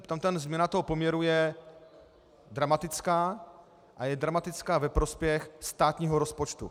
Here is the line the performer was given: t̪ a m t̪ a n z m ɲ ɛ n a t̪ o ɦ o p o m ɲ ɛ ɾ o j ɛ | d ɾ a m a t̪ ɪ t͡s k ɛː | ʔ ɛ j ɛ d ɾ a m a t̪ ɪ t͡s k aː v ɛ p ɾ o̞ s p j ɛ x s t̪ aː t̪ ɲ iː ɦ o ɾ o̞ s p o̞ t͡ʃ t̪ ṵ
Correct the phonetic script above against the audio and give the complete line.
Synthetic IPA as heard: t̪ a m t̪ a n z m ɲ ɛ n a t̪ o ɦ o p o m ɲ ɛ ɾ u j ɛ | d ɾ a m a t̪ ɪ t͡s k aː | ʔ a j ɛ d ɾ a m a t̪ ɪ t͡s k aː v ɛ p ɾ o̞ s p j ɛ x s t̪ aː t̪ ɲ iː ɦ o ɾ o̞ s p o̞ t͡ʃ t̪ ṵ